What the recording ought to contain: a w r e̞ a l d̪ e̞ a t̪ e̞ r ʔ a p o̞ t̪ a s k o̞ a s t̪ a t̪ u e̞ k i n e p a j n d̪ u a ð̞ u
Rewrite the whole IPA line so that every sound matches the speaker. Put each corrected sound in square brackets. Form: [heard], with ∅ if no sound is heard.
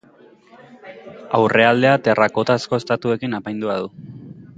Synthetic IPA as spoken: a w r e̞ a l d̪ e̞ a t̪ e̞ r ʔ a [k] o̞ t̪ a s k o̞ [e] s t̪ a t̪ u e̞ k i n [a] p a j n d̪ u a ð̞ u